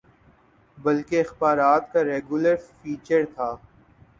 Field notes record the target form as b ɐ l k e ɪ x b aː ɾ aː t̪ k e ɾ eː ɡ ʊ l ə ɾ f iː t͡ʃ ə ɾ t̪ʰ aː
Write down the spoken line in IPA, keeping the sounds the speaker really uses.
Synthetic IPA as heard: b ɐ l k e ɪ x b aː ɾ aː t̪ k a ɾ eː ɡ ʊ l ə ɾ f iː t͡ʃ ə ɾ t̪ʰ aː